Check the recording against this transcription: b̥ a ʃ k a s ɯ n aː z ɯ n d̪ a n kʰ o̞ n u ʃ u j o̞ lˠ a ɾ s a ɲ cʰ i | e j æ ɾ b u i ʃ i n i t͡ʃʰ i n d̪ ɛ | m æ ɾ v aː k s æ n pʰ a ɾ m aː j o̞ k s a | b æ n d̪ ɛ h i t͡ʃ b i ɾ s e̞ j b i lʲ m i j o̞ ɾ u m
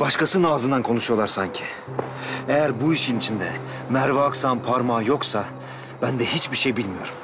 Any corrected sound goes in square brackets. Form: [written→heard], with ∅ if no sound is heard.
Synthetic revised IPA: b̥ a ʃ k a s ɯ n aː z ɯ n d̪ a n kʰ o̞ n u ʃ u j o̞ lˠ a ɾ s a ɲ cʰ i | e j æ ɾ b u i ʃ i n i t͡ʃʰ i n d̪ ɛ | m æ ɾ v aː k s [æ→a] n pʰ a ɾ m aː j o̞ k s a | b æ n d̪ ɛ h i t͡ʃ b i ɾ [s→ʃ] e̞ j b i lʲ m i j o̞ ɾ u m